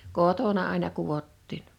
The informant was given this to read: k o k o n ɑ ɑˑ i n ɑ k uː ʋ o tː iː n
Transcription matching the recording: k o t o n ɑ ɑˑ i n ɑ k u ʋ o tː iː n